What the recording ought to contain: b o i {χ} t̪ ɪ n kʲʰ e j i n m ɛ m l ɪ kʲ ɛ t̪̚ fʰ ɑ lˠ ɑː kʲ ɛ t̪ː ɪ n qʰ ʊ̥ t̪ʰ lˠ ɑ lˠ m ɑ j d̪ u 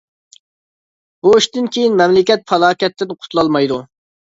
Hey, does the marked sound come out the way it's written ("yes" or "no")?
no